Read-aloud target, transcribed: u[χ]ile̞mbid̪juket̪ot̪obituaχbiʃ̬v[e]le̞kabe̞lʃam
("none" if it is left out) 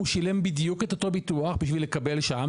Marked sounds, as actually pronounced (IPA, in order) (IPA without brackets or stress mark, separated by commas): ʃ, i